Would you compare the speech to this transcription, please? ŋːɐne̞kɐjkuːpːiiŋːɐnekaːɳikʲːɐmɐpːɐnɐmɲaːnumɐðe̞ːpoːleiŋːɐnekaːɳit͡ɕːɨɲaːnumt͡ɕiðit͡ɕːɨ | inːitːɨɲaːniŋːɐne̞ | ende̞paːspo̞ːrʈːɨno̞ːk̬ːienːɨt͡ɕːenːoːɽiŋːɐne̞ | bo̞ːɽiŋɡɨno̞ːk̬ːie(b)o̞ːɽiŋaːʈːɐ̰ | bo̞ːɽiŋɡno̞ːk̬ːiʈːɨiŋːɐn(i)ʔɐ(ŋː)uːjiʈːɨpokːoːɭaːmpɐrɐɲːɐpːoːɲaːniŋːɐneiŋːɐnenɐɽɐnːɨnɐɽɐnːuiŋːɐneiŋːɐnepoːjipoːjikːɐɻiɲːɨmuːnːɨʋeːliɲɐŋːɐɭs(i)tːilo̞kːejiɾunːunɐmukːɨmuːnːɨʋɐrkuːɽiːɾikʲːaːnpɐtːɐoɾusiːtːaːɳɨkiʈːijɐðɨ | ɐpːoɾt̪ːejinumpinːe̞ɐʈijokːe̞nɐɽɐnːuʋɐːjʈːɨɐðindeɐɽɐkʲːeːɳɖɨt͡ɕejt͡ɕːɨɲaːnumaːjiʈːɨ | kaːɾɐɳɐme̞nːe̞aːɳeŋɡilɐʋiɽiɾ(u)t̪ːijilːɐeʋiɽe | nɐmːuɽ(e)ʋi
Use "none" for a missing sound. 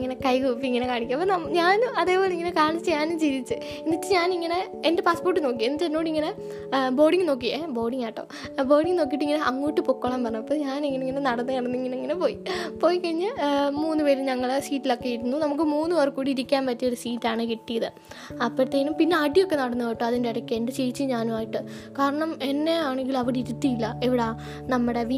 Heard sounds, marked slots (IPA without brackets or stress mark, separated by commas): b, e, ŋː, iː, u, e